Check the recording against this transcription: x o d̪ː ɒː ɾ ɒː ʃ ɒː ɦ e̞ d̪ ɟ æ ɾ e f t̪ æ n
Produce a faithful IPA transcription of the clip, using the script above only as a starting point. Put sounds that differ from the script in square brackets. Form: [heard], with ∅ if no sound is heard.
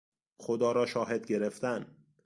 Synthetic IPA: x o [d̪] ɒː ɾ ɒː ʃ ɒː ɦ e̞ d̪ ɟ [e] ɾ e f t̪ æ n